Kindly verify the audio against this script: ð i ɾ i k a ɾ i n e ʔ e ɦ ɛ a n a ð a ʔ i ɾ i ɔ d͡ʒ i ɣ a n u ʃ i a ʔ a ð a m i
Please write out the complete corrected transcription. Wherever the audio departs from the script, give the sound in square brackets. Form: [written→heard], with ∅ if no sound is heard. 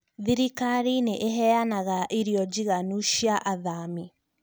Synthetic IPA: ð i ɾ i k a ɾ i n e ʔ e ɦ ɛ a n a [ð→ɣ] a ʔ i ɾ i ɔ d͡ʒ i ɣ a n u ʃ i a ʔ a ð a m i